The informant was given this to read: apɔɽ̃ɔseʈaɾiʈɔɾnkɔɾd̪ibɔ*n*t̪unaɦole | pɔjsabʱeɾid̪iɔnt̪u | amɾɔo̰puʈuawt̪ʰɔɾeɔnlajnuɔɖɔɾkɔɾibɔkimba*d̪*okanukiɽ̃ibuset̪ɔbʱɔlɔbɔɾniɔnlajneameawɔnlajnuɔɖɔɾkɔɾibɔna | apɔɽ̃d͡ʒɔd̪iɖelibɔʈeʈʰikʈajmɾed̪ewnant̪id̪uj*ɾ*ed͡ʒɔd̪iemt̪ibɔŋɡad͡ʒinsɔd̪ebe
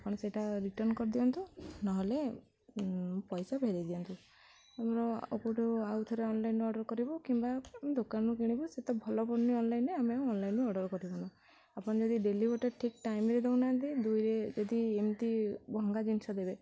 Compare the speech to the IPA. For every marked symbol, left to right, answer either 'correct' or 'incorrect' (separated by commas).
correct, correct, correct